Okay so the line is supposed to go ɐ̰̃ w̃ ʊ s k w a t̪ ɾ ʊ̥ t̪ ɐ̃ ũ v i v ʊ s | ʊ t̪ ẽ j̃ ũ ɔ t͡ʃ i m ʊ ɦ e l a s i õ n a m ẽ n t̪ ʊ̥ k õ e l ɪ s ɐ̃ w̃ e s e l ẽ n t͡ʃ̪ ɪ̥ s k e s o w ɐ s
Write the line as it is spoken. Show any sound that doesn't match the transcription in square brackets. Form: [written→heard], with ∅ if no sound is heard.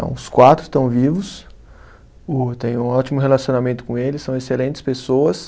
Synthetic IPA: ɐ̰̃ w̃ ʊ s k w a t̪ ɾ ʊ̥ t̪ ɐ̃ [ũ→w̃] v i v ʊ s | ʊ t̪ ẽ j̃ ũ ɔ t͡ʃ i m ʊ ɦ e l a s i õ n a m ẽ n t̪ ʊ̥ k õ e l ɪ s ɐ̃ w̃ e s e l ẽ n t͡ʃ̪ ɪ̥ s [k→p] e s o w ɐ s